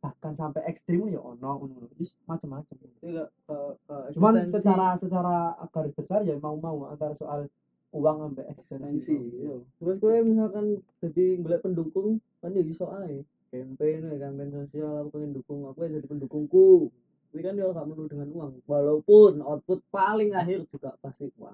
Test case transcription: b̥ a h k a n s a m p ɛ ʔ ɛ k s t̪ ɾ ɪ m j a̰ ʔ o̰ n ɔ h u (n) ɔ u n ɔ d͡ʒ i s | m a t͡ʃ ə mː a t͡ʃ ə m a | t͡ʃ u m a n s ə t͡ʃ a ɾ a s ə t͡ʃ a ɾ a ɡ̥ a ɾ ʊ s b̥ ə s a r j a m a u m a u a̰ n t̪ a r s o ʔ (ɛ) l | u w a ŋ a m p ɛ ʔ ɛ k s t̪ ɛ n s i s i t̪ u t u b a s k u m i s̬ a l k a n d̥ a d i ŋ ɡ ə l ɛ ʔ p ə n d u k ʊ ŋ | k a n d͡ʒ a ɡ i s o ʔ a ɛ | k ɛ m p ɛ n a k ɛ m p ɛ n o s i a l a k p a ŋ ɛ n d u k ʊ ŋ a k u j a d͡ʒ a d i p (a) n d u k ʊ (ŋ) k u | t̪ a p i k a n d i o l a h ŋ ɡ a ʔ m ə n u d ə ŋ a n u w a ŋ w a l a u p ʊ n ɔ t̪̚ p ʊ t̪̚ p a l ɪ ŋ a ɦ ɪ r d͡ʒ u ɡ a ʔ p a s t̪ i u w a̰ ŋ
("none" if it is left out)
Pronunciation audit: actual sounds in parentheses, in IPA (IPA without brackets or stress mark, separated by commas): n, a, ə, ŋ